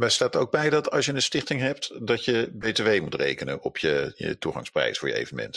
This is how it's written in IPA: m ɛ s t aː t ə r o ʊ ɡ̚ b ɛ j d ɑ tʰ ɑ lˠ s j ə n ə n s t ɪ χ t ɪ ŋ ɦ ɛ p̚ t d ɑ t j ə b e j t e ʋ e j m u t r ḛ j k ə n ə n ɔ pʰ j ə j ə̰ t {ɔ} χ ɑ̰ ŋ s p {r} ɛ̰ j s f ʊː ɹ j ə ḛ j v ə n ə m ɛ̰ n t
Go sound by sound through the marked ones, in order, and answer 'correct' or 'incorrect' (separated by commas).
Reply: incorrect, correct